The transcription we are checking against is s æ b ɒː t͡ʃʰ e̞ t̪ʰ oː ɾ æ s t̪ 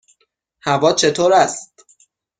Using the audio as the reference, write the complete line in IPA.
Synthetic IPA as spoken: h æ v ɒː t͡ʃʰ e̞ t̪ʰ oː ɾ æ s t̪